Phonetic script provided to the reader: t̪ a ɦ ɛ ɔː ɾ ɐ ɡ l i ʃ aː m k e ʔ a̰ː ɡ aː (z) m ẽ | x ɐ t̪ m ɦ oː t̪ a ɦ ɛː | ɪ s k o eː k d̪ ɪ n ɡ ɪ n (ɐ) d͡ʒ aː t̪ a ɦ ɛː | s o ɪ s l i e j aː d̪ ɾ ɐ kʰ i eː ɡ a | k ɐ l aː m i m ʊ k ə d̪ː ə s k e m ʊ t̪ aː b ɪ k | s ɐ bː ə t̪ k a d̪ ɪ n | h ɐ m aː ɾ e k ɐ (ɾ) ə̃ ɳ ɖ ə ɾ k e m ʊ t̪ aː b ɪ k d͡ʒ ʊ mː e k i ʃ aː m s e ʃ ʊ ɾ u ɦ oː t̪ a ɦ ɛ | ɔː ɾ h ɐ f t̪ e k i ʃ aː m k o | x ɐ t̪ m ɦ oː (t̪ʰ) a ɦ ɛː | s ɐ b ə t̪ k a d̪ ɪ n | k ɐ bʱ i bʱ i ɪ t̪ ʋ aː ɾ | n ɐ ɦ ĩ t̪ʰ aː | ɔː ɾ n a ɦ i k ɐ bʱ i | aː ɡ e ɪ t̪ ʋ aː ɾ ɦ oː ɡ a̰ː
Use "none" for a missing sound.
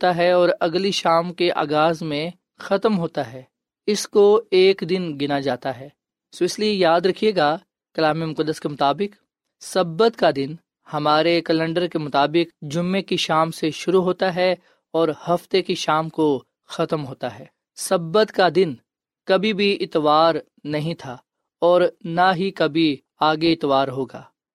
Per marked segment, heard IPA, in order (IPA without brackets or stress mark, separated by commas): z, a, l, t̪